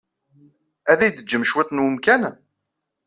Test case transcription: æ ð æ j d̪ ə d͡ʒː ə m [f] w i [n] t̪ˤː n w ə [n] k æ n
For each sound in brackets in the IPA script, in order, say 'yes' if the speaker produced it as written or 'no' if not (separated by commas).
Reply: no, no, no